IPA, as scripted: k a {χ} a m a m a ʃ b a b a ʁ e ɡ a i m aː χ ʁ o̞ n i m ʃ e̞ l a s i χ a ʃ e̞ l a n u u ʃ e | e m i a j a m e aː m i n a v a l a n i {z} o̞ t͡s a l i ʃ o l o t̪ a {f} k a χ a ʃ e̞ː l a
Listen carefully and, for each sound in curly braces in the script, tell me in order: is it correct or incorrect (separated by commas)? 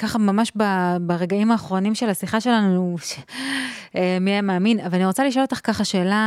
correct, incorrect, incorrect